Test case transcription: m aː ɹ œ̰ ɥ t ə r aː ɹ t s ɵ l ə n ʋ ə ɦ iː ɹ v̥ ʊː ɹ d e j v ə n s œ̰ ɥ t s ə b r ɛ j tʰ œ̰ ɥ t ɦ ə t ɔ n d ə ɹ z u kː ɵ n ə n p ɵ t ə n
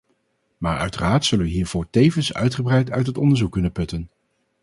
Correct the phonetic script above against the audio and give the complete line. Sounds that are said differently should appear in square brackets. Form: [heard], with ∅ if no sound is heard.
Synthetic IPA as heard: m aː ɹ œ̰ ɥ t ə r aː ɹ t s ɵ l ə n ʋ ə ɦ iː ɹ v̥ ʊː ɹ [t] e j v ə n s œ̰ ɥ t [χ] ə b r ɛ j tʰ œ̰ ɥ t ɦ ə t ɔ n d ə ɹ z u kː ɵ n ə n p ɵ t ə n